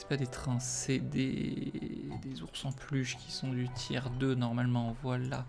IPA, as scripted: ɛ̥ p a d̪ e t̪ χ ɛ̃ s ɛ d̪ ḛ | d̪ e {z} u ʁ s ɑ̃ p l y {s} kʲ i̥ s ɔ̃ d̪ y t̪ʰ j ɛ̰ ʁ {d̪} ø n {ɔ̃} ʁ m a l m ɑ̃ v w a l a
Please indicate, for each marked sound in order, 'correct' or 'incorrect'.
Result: correct, incorrect, correct, incorrect

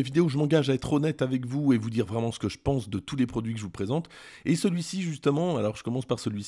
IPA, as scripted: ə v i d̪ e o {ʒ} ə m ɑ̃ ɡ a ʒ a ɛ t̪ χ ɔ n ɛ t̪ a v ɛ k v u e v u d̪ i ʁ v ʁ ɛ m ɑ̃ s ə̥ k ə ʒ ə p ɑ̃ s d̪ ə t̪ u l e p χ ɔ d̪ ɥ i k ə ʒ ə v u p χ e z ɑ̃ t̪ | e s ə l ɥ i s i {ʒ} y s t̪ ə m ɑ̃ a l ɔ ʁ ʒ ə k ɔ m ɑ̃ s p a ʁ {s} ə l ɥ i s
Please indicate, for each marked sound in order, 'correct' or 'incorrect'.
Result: correct, correct, correct

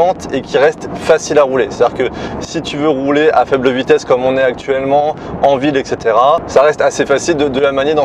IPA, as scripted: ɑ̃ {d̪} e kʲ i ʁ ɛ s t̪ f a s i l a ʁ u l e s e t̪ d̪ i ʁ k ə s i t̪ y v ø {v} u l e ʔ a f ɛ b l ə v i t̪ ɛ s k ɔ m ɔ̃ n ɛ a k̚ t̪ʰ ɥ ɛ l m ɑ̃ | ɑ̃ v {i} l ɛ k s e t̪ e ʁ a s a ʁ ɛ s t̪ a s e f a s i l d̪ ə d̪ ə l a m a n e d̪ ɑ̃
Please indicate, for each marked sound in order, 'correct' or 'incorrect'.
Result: incorrect, incorrect, correct

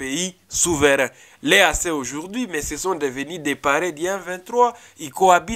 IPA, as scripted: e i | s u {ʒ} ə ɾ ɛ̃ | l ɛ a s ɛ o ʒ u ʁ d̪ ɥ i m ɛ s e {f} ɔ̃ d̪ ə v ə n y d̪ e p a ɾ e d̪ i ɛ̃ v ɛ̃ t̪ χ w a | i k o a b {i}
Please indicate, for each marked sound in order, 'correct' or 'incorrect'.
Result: incorrect, incorrect, correct

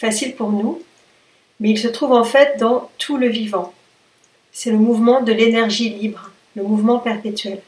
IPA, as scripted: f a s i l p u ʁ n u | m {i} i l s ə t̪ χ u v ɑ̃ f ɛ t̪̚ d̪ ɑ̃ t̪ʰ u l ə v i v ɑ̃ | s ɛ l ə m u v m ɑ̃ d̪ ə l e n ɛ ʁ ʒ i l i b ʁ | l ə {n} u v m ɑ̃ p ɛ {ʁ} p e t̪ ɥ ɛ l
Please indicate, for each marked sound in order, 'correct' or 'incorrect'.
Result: incorrect, incorrect, correct

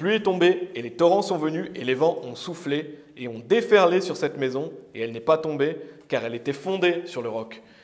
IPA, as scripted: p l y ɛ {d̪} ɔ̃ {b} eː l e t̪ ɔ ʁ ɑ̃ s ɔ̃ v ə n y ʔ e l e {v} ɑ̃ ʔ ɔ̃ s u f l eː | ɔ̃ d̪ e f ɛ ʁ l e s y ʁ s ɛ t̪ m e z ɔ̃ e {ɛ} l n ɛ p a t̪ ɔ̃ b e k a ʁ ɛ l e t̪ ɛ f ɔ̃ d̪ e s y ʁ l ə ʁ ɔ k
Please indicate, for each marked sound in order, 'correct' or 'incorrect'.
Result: incorrect, correct, correct, correct

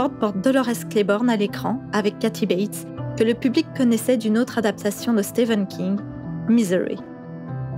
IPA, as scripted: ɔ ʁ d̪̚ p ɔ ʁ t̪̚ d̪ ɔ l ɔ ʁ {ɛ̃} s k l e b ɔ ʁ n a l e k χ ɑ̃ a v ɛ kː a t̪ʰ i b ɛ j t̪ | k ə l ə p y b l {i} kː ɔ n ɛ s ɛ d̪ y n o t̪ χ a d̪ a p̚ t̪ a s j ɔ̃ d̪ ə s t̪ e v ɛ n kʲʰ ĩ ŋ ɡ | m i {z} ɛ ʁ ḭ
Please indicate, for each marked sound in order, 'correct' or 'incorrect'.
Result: incorrect, correct, correct

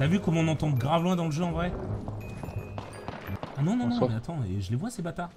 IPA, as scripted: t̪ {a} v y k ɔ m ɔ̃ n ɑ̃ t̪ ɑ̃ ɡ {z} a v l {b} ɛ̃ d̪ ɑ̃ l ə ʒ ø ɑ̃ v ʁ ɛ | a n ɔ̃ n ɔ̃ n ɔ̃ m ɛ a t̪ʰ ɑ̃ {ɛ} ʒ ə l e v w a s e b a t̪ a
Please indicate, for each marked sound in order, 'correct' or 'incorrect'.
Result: correct, incorrect, incorrect, incorrect

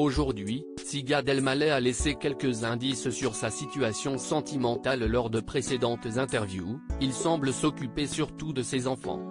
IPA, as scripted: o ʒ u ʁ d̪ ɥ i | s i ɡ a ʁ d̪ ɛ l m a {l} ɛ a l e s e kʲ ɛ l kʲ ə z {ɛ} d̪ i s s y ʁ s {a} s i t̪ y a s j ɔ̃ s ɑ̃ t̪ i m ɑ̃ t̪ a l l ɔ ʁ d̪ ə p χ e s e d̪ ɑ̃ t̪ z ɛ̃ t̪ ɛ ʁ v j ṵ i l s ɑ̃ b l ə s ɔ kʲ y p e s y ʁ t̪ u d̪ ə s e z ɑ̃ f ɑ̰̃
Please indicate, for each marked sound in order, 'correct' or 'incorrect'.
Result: correct, incorrect, correct

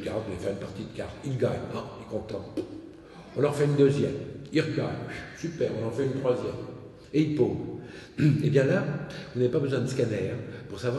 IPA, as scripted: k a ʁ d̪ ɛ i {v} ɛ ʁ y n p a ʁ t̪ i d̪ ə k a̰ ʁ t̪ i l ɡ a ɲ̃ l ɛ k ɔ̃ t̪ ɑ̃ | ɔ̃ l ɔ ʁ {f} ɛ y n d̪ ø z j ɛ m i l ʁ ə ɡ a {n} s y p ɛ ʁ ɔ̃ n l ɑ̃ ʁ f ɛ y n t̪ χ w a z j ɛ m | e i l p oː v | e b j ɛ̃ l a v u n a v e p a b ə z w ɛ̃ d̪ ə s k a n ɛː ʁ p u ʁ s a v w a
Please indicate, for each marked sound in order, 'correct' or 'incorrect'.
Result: incorrect, correct, incorrect

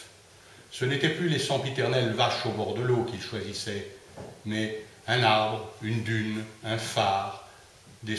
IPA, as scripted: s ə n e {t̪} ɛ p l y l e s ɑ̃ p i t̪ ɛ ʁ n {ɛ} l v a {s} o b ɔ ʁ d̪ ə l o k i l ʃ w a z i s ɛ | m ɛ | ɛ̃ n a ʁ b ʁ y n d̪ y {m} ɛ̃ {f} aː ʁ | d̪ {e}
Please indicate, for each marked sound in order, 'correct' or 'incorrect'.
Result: correct, correct, incorrect, incorrect, correct, correct

